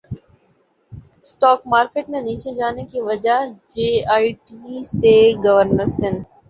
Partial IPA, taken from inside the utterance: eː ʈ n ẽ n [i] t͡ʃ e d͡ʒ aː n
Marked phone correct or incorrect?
incorrect